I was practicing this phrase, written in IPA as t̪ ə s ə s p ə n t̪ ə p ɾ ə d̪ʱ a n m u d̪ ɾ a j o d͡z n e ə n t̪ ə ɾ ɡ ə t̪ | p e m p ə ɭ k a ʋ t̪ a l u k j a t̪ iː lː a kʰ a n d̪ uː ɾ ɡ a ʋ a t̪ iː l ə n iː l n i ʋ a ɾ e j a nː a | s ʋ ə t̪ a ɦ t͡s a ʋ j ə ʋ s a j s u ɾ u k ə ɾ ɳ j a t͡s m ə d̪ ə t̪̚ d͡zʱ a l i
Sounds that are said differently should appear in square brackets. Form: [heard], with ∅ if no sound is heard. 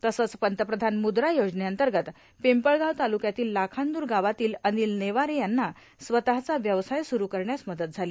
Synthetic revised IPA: t̪ ə s ə [t͡s] p ə n t̪ ə p ɾ ə d̪ʱ a n m u d̪ ɾ a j o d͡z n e ə n t̪ ə ɾ ɡ ə t̪ | p e m p ə ɭ [ɡ] a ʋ t̪ a l u k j a t̪ iː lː a kʰ a n d̪ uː ɾ ɡ a ʋ a t̪ iː l ə n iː l n [e] ʋ a ɾ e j a nː a | s ʋ ə t̪ a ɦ t͡s a ʋ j ə ʋ s a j s u ɾ u k ə ɾ ɳ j a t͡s m ə d̪ ə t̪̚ d͡zʱ a l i

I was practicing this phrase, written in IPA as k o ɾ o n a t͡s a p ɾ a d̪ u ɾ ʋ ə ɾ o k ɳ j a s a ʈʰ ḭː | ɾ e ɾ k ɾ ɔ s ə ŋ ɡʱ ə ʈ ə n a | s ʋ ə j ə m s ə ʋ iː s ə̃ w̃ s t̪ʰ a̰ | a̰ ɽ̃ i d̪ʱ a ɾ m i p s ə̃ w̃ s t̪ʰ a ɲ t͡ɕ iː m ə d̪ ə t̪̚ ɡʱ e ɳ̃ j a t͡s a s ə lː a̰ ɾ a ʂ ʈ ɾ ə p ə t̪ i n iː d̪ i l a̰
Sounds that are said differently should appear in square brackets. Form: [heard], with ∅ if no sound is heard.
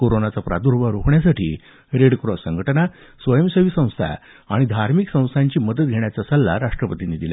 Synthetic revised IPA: k o ɾ o n a t͡s a p ɾ a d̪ u ɾ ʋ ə ɾ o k ɳ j a s a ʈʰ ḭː | ɾ e [ɽ] k ɾ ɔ s ə ŋ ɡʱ ə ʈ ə n a | s ʋ ə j ə m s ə ʋ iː s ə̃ w̃ s t̪ʰ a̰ | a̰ ɽ̃ i d̪ʱ a ɾ m i [k] s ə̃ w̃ s t̪ʰ a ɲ t͡ɕ iː m ə d̪ ə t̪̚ ɡʱ e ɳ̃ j a t͡s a s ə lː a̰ ɾ a ʂ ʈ ɾ ə p ə t̪ i n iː d̪ i l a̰

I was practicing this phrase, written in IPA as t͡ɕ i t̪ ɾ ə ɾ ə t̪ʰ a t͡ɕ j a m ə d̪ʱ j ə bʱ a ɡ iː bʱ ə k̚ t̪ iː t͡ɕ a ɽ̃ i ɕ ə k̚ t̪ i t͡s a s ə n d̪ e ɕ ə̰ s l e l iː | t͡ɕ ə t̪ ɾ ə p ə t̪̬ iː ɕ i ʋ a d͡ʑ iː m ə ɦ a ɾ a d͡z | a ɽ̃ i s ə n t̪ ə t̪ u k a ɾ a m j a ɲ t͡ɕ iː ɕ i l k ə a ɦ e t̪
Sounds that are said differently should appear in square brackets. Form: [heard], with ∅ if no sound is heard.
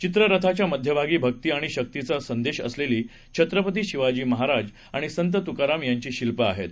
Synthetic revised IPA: t͡ɕ i t̪ ɾ ə ɾ ə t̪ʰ a t͡ɕ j a m ə d̪ʱ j ə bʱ a ɡ iː bʱ ə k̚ t̪ iː [∅] a ɽ̃ i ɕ ə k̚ t̪ i t͡s a s ə n d̪ e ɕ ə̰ s l e l iː | [t͡ɕʰ] ə t̪ ɾ ə p ə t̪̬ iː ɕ i ʋ a d͡ʑ iː m ə ɦ a ɾ a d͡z | a ɽ̃ i s ə n t̪ ə t̪ u k a ɾ a m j a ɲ t͡ɕ iː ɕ i l [p] ə a ɦ e t̪

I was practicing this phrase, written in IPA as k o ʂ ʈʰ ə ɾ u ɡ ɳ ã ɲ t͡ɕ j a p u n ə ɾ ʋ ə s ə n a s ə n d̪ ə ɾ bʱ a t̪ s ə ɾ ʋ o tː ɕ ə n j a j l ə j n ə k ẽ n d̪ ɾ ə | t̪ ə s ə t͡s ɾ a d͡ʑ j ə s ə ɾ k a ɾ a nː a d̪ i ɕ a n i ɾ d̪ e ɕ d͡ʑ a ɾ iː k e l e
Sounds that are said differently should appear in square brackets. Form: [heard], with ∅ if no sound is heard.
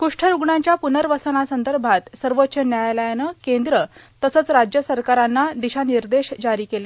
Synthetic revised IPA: k [u] ʂ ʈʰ ə ɾ u ɡ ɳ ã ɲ t͡ɕ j a p u n ə ɾ ʋ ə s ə n a s ə n d̪ ə ɾ bʱ a t̪ s ə ɾ ʋ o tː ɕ ə n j a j l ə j n ə k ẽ n d̪ ɾ ə | t̪ ə s ə t͡s ɾ a d͡ʑ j ə s ə ɾ k a ɾ a nː a d̪ i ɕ a n i ɾ d̪ e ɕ d͡ʑ a ɾ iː k e l e

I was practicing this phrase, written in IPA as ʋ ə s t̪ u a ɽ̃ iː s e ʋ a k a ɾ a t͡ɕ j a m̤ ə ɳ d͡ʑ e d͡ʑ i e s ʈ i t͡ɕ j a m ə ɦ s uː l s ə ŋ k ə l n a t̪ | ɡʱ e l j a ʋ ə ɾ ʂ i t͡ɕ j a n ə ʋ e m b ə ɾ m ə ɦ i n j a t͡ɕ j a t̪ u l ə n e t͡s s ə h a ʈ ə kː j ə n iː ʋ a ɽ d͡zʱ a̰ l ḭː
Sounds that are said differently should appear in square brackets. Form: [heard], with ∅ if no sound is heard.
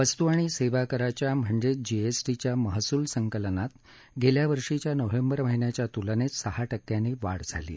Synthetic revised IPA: ʋ ə s t̪ u a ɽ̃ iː s e ʋ a k [ə] ɾ a t͡ɕ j a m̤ ə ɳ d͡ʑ e d͡ʑ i e s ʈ i t͡ɕ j a m ə ɦ s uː l s ə ŋ k ə l n a t̪ | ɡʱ e l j a ʋ ə ɾ ʂ i t͡ɕ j a n ə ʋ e m b ə ɾ m ə ɦ i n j a t͡ɕ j a t̪ u l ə n e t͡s s ə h a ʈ ə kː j [a] n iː ʋ a ɽ d͡zʱ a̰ l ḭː

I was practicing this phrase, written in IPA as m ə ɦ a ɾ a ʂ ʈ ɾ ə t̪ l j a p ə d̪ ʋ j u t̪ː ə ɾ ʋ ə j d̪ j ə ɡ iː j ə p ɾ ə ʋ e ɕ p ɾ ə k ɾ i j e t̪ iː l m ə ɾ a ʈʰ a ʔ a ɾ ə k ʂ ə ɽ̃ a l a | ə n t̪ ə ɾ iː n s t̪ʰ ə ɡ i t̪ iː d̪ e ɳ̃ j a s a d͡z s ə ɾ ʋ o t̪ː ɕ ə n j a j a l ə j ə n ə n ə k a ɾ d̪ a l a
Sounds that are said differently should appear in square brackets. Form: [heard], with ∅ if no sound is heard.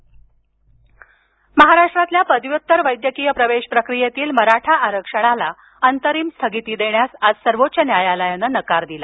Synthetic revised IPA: m ə ɦ a ɾ a ʂ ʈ ɾ [a] t̪ l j a p ə d̪ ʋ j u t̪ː ə ɾ ʋ ə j d̪ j ə [k] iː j ə p ɾ ə ʋ e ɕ p ɾ ə k ɾ i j e t̪ iː l m ə ɾ a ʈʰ a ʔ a ɾ ə k ʂ ə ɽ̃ a l a | ə n t̪ ə ɾ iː [m] s t̪ʰ ə ɡ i t̪ iː d̪ e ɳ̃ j a s a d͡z s ə ɾ ʋ o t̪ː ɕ ə n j a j a l ə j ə n ə n ə k a ɾ d̪ [i] l a

